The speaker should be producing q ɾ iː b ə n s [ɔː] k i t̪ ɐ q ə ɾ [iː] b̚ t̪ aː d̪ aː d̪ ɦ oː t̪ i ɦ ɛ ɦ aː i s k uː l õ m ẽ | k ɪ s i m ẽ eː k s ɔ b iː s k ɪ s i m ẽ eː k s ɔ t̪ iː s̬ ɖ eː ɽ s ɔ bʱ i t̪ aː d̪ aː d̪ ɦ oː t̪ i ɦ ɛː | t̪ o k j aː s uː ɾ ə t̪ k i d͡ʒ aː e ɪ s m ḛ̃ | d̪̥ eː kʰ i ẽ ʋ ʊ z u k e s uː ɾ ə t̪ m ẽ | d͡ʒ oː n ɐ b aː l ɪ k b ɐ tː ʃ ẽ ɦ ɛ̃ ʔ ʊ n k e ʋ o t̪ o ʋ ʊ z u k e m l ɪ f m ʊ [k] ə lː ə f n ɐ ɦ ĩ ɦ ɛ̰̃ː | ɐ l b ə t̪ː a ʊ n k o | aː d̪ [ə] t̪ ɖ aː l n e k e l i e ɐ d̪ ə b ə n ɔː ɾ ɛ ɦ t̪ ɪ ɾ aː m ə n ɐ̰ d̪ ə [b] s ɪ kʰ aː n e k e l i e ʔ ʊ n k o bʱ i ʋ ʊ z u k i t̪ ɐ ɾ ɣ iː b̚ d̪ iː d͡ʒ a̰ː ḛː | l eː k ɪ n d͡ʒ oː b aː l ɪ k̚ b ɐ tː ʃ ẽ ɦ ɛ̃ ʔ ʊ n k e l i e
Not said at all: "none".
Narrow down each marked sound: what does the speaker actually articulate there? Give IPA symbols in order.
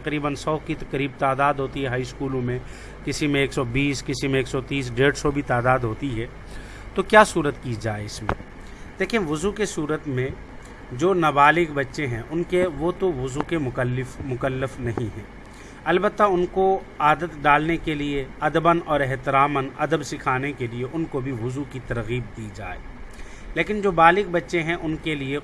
ɔː, iː, k, ə, b

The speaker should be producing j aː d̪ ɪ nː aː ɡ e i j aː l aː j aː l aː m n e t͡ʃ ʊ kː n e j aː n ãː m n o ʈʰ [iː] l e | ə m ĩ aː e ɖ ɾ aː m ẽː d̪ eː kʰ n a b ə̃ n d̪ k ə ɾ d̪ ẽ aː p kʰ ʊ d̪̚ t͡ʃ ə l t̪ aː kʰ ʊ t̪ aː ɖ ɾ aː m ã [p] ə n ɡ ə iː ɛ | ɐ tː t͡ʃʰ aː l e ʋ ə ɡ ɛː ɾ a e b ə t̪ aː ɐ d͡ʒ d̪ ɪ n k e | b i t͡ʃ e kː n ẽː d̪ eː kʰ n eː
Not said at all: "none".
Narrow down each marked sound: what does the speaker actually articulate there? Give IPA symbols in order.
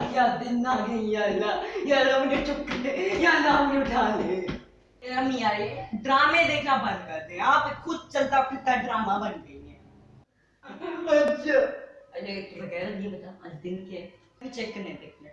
aː, b

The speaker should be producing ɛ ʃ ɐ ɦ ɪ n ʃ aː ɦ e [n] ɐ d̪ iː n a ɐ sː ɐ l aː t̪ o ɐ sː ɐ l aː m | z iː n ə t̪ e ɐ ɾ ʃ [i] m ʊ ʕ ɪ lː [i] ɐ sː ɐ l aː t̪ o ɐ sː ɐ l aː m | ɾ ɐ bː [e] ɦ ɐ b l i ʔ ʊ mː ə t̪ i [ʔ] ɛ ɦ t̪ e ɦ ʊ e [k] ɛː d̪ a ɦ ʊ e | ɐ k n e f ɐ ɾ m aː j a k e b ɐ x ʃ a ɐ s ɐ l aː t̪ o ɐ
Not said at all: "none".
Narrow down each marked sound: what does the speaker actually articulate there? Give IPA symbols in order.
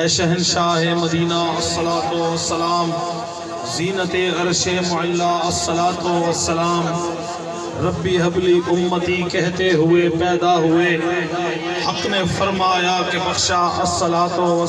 m, e, a, i, k, p

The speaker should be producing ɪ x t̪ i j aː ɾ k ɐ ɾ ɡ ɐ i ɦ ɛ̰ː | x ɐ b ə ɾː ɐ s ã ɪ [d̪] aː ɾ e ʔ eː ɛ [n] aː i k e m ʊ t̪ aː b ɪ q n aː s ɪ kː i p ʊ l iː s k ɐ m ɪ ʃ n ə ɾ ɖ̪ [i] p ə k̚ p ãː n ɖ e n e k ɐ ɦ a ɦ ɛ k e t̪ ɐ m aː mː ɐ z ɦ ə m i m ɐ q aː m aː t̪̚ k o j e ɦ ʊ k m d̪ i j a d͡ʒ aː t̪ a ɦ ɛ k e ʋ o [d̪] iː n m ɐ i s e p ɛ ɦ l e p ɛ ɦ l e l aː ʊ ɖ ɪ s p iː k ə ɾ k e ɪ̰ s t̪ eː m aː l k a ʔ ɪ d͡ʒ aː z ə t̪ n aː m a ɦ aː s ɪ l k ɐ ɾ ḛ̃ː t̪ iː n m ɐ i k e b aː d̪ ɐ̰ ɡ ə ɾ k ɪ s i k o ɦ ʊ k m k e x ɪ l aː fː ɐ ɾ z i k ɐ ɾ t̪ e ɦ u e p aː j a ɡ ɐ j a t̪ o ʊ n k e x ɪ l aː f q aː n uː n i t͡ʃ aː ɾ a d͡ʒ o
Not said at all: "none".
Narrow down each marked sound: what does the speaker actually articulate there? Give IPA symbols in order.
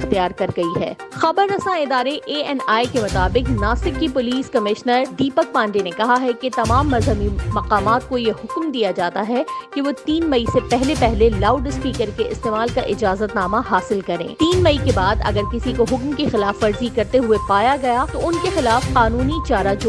d̪, n, iː, t̪

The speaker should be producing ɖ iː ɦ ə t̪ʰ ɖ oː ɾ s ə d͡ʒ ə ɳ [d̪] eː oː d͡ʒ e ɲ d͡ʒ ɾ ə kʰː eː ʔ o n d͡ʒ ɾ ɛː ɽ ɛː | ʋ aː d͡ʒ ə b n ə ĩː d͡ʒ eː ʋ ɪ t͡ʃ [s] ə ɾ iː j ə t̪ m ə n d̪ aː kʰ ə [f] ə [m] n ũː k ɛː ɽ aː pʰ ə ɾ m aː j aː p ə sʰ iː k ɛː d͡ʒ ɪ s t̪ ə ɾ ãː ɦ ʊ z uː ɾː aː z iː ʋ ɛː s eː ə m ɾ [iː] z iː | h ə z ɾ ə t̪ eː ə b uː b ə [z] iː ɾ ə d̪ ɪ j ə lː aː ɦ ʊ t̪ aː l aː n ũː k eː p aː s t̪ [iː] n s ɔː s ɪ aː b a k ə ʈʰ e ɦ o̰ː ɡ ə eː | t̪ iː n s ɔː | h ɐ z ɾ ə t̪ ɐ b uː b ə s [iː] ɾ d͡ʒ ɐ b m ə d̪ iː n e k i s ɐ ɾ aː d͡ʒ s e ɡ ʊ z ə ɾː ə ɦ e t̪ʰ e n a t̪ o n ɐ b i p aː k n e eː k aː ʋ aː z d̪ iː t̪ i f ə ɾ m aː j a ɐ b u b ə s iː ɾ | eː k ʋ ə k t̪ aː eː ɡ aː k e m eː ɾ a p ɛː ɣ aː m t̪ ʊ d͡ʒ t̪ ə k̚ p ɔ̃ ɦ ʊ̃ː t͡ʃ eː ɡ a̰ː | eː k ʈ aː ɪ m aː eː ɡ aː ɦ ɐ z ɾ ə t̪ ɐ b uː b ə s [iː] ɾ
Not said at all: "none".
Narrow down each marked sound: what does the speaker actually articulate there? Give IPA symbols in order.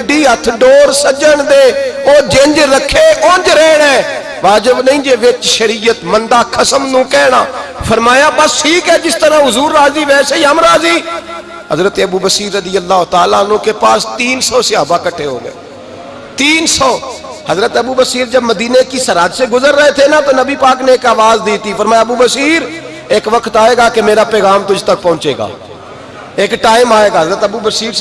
d̪, ʃ, s, m, aː, s, iː, iː, iː

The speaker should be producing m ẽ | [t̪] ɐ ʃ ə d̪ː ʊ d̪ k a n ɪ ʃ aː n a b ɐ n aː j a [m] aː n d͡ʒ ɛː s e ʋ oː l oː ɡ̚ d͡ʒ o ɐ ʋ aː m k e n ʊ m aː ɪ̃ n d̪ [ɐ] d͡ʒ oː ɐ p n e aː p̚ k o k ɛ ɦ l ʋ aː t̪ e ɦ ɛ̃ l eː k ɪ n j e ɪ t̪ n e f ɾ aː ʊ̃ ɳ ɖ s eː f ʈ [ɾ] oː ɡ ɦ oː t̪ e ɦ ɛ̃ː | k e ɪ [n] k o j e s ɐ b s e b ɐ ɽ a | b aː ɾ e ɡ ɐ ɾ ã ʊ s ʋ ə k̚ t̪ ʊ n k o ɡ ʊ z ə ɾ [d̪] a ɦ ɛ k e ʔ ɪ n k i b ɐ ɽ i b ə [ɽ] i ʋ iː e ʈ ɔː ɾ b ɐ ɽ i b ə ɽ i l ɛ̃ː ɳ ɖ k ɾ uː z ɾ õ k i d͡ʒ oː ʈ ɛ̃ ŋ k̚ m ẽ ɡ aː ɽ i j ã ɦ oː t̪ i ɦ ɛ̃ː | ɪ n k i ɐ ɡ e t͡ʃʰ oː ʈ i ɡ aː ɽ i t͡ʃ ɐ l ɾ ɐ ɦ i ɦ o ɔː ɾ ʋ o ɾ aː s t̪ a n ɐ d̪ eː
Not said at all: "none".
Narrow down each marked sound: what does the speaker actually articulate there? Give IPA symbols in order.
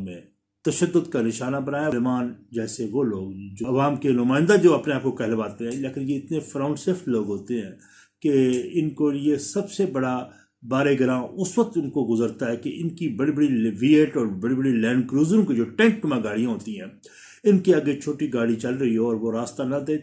t̪, m, a, l, n, t̪, ɽ

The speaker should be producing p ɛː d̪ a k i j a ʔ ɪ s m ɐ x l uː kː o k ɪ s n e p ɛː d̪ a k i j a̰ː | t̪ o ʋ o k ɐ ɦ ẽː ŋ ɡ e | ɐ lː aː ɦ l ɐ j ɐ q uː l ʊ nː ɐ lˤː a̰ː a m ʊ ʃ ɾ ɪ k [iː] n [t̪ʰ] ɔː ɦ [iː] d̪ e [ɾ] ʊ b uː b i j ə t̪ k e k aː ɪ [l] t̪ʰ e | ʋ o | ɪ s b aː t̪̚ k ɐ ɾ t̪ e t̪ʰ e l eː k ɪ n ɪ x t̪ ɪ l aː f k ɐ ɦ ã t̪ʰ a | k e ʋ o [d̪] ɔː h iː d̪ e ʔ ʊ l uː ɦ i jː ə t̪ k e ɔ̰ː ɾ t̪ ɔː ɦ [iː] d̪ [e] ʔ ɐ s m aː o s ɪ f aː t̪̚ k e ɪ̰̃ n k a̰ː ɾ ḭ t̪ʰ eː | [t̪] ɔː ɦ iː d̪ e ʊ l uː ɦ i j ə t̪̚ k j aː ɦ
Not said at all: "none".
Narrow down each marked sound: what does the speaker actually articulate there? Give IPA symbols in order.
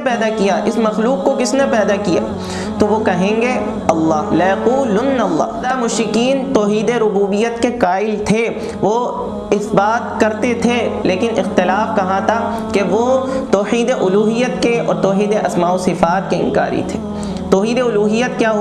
iː, t̪, iː, ɾ, l, t̪, iː, e, t̪

